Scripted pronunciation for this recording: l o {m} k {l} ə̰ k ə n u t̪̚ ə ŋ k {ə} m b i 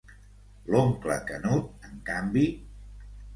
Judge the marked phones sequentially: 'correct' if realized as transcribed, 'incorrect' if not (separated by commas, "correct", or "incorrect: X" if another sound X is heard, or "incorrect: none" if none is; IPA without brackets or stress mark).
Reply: incorrect: ŋ, correct, incorrect: a